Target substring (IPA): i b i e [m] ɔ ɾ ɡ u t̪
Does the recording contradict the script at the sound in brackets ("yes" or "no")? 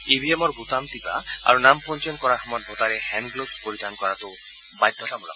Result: no